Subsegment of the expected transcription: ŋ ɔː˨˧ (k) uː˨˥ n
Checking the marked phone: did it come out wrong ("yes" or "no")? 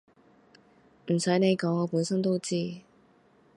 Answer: yes